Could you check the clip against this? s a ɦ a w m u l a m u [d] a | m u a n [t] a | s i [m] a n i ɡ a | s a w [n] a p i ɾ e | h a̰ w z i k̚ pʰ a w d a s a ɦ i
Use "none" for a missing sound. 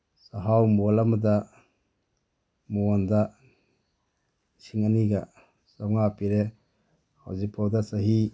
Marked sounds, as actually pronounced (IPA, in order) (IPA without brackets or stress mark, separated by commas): d, d, ŋ, ŋ